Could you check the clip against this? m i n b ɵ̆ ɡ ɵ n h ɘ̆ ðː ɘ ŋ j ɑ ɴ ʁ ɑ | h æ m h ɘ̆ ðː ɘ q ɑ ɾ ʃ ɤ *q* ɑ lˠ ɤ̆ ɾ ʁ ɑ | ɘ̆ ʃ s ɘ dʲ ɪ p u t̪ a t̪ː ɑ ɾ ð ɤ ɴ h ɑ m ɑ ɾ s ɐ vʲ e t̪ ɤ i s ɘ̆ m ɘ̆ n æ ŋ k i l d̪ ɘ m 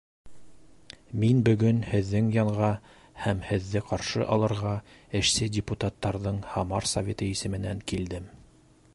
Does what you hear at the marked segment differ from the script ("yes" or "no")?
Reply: yes